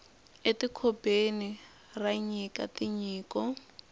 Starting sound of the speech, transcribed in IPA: e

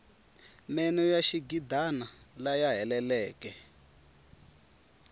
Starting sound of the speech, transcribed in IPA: m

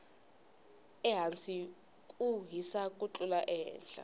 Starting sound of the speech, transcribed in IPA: ɛ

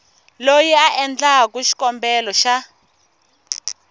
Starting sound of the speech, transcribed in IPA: l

